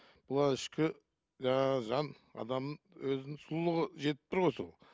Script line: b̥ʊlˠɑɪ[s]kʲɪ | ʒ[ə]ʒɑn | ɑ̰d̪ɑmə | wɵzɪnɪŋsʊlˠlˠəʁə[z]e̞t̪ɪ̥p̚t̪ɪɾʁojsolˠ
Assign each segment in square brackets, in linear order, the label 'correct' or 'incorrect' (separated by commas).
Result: incorrect, incorrect, incorrect